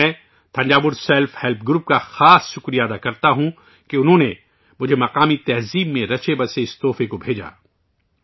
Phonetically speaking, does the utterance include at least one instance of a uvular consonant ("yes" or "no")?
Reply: yes